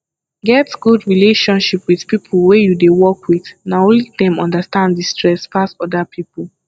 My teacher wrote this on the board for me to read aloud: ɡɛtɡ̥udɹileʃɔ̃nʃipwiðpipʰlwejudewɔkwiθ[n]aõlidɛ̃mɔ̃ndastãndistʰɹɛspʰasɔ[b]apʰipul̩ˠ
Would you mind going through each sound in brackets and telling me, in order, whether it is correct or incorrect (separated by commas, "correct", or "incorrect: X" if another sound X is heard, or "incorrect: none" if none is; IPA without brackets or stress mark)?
correct, incorrect: d